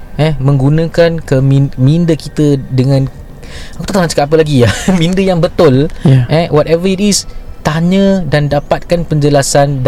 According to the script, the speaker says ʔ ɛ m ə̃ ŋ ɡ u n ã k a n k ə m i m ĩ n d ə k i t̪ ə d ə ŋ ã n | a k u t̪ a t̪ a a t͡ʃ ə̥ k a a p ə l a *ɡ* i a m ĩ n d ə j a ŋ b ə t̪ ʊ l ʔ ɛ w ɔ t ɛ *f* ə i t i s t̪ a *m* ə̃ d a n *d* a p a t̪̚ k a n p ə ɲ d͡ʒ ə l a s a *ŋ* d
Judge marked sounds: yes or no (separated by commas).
yes, no, no, yes, no